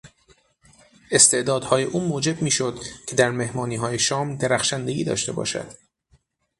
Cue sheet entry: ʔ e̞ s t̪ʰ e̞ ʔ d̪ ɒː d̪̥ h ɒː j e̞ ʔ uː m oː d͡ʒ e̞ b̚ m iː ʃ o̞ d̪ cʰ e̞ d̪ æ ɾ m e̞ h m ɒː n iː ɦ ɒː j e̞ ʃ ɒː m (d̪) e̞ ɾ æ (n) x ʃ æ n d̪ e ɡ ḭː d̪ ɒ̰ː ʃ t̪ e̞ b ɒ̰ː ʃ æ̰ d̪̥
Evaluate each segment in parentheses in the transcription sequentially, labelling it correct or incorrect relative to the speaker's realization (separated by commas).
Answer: correct, incorrect